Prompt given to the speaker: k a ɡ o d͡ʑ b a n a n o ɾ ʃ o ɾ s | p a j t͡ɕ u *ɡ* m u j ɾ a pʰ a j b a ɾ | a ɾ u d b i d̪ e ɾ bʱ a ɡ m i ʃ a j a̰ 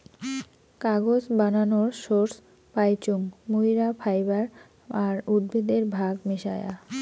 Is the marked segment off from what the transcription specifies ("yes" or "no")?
yes